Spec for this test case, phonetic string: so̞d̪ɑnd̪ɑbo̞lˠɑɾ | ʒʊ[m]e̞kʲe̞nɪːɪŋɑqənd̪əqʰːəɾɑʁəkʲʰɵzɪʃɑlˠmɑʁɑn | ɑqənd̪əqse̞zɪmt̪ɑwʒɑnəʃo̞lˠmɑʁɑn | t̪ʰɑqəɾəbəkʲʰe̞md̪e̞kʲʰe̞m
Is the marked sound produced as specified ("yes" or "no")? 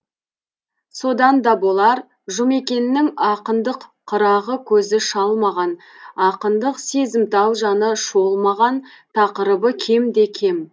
yes